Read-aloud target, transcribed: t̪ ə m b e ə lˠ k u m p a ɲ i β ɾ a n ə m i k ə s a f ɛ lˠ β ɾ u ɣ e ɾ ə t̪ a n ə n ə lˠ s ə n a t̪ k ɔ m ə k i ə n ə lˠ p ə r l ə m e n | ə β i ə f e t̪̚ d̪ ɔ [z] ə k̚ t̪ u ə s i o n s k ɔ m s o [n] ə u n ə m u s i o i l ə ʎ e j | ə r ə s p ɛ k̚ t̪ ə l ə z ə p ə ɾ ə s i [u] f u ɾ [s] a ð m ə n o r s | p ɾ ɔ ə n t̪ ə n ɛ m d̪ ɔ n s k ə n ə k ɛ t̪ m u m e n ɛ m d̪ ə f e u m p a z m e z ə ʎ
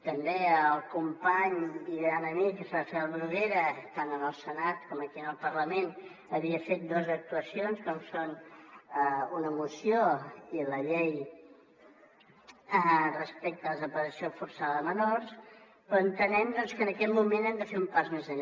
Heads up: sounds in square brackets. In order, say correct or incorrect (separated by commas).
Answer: correct, correct, incorrect, correct